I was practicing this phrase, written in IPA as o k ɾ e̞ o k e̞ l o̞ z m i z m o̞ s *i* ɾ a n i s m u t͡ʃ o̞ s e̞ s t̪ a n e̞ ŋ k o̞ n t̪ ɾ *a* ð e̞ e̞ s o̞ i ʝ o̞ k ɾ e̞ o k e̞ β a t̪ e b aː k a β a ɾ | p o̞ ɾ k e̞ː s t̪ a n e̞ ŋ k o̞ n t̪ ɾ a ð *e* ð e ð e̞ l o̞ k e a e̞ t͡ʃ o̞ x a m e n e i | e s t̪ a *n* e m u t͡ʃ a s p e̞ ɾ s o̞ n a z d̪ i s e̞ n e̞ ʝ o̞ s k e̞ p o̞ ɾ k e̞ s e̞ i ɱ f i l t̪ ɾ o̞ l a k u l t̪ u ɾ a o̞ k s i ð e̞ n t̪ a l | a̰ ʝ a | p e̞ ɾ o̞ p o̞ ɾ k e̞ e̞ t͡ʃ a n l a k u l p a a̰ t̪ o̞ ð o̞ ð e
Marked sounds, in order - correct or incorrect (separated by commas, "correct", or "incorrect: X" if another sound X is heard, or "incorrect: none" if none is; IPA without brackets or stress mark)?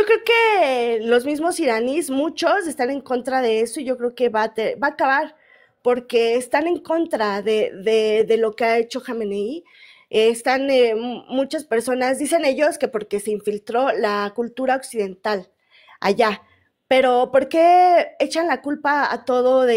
correct, correct, correct, correct